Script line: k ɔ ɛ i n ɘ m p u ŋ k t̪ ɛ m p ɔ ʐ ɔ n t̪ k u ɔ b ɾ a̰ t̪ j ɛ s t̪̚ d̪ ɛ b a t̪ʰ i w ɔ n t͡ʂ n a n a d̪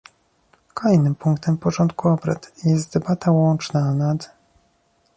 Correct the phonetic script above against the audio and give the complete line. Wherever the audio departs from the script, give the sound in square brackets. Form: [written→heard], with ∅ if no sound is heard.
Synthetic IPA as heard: k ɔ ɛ [i→j] n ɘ m p u ŋ k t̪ ɛ m p ɔ ʐ ɔ n t̪ k u ɔ b ɾ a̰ t̪ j ɛ s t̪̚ d̪ ɛ b a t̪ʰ [i→a] w ɔ n t͡ʂ n a n a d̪